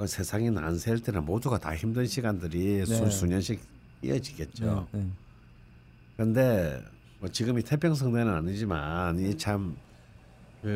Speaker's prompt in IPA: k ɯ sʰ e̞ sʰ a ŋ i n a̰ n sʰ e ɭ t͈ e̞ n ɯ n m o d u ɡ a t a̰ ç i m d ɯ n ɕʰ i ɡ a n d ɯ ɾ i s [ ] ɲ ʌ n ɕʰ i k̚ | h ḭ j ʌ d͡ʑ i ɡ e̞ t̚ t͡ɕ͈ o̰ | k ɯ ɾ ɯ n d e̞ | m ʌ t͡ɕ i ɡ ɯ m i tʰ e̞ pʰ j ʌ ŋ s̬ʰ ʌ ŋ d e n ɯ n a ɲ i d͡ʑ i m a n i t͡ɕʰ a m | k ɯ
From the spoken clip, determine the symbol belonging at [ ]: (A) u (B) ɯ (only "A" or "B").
A